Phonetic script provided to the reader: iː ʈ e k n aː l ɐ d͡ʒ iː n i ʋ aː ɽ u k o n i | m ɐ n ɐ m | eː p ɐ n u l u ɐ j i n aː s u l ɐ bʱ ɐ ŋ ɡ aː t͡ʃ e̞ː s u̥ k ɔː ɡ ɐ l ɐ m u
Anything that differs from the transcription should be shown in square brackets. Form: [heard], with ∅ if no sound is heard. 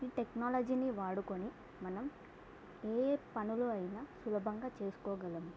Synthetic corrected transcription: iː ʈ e k n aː l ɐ d͡ʒ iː n i ʋ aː ɽ u k o n i | m ɐ n ɐ m | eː p ɐ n u l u ɐ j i n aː s u l ɐ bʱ ɐ ŋ ɡ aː t͡ʃ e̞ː s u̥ k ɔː ɡ ɐ l ɐ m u